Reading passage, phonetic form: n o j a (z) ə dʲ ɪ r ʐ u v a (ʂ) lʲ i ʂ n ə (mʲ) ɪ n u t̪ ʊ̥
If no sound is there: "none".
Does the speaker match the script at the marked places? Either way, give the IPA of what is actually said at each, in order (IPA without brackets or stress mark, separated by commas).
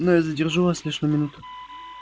z, s, mʲ